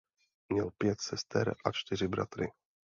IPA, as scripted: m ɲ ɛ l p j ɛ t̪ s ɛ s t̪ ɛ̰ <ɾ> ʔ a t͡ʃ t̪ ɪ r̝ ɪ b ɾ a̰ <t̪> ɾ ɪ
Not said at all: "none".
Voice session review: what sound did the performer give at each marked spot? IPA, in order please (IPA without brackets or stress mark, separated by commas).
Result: ɾ, t̪